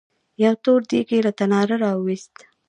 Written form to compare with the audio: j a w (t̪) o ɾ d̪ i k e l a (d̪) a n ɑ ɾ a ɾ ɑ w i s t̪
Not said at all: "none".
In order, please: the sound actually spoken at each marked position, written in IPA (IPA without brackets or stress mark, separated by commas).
t̪, t̪